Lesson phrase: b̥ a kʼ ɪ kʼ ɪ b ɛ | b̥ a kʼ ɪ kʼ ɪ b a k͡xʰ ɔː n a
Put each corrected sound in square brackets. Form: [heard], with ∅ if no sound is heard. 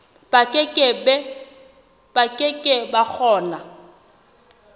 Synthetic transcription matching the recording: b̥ a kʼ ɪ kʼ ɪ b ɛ | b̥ a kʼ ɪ kʼ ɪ b a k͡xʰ ɔː n a